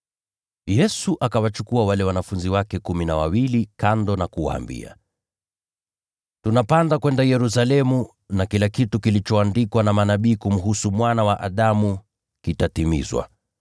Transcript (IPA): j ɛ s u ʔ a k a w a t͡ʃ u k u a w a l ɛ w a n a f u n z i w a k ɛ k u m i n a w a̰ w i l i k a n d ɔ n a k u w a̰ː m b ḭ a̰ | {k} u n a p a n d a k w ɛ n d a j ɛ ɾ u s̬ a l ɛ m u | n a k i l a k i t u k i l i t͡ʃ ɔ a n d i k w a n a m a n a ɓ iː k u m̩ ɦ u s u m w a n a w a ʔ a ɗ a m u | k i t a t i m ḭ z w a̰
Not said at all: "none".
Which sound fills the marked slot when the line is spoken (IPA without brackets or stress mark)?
t